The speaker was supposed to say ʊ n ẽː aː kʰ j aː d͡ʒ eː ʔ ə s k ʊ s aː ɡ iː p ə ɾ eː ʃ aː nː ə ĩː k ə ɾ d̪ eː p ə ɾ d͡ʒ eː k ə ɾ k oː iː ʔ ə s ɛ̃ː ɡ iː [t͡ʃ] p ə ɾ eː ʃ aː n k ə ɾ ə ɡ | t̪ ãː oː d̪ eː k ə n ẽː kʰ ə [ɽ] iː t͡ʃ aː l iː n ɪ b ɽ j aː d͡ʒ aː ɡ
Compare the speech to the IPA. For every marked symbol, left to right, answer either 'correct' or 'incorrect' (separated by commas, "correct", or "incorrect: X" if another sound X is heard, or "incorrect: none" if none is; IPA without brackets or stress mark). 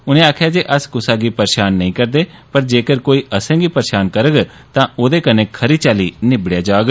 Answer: incorrect: none, incorrect: ɾ